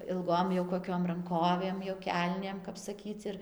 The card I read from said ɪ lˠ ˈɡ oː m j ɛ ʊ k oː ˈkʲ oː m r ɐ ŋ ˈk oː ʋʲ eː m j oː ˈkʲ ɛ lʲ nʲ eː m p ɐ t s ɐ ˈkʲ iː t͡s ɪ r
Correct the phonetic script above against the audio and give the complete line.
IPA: ɪ lˠ ˈɡ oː m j ɛ ʊ k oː ˈkʲ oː m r ɐ ŋ ˈk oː ʋʲ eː m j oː ˈkʲ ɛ lʲ nʲ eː m k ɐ p s ɐ ˈkʲ iː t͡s ɪ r

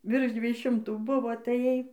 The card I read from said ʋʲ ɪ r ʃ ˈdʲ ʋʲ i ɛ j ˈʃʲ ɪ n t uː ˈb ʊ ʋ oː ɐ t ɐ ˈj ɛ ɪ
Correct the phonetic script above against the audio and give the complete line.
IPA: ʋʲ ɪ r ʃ ˈdʲ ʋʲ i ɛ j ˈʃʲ ɪ m t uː ˈb ʊ ʋ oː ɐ t ɐ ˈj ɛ ɪ

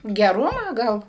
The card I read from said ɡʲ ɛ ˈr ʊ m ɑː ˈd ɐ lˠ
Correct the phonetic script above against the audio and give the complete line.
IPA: ɡʲ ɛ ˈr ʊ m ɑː ˈɡ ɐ lˠ

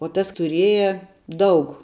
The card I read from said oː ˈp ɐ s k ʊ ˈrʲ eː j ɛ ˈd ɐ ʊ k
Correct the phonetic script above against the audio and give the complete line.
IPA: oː ˈt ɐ s t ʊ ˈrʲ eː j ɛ ˈd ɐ ʊ k

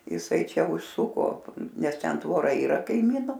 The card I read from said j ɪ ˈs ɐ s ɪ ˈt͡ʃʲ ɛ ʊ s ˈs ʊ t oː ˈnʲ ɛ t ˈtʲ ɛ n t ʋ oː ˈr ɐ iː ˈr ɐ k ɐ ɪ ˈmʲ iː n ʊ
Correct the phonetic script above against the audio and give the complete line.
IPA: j ɪ ˈs ɐ ɪ ˈt͡ʃʲ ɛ ʊ ʃ ˈs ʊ k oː ˈnʲ ɛ s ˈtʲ ɛ n t ʋ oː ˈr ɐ iː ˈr ɐ k ɐ ɪ ˈmʲ iː n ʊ

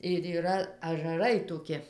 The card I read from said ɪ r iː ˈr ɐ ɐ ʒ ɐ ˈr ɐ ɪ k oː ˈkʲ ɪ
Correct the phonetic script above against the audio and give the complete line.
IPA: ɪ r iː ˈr ɐ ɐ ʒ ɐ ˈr ɐ ɪ t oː ˈkʲ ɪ

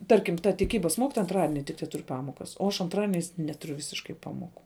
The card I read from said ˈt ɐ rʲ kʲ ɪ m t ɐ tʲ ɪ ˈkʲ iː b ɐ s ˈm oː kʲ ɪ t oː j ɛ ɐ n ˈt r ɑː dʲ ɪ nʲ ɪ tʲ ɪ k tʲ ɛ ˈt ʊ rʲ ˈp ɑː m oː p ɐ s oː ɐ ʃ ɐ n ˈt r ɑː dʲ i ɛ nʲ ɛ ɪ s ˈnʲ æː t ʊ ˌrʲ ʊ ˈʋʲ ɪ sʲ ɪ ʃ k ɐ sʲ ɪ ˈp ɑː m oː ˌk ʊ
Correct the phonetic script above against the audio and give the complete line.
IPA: ˈt ɐ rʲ kʲ ɪ m t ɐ tʲ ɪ ˈkʲ iː b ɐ s ˈm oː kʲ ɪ t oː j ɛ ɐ n ˈt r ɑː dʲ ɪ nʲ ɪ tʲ ɪ k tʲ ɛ ˈt ʊ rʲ ˈp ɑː m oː k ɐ s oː ɐ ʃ ɐ n ˈt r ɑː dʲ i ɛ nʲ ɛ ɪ s ˈnʲ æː t ʊ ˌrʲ ʊ ˈʋʲ ɪ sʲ ɪ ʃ k ɐ ɪ ˈp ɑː m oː ˌk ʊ

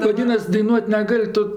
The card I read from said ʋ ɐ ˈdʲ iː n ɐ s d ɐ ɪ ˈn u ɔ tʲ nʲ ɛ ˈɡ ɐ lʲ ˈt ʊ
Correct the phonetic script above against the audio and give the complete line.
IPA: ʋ ɐ ˈdʲ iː n ɐ s d ɐ ɪ ˈn u ɔ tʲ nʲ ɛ ˈɡ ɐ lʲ ˈt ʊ

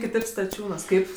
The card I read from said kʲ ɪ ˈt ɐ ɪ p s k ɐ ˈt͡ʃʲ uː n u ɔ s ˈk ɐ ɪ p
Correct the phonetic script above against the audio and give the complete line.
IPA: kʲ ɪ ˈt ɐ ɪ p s t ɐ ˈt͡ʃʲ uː n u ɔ s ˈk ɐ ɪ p

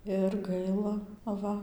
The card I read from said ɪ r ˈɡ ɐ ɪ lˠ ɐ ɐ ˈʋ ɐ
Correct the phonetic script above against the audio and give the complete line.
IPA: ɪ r ˈɡ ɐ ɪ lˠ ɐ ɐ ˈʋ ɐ

